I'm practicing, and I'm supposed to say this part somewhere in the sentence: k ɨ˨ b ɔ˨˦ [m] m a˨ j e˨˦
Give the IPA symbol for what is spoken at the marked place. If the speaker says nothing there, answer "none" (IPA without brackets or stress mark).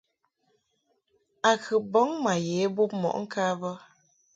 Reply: ŋ